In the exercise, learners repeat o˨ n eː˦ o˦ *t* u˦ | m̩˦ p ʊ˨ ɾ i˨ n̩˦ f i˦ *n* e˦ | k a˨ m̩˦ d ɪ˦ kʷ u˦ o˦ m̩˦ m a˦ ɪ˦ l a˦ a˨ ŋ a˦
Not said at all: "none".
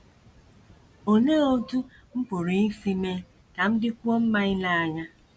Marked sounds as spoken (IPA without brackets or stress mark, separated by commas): t, m